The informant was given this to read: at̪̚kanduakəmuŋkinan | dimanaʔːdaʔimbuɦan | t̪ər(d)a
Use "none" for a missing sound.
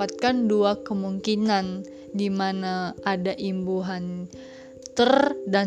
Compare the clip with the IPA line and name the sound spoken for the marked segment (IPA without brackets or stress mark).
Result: d